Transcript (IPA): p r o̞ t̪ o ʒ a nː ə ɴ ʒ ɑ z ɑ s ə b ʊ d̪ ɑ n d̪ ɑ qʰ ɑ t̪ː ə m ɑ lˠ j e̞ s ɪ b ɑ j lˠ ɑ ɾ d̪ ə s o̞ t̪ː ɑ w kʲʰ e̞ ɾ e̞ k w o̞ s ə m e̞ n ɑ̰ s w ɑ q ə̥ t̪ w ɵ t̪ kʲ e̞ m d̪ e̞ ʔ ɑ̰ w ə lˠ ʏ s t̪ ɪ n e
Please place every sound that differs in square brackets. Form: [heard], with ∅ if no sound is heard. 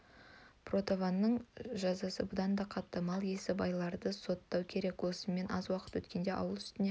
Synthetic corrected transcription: p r o̞ t̪ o [v] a nː ə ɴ ʒ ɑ z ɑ s ə b ʊ d̪ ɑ n d̪ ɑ qʰ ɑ t̪ː ə m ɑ lˠ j e̞ s ɪ b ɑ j lˠ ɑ ɾ d̪ ə s o̞ t̪ː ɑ w kʲʰ e̞ ɾ e̞ k w o̞ s ə m e̞ n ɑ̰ [z] w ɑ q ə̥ t̪ w ɵ t̪ kʲ e̞ [n] d̪ e̞ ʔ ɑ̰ w ə lˠ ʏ s t̪ ɪ n e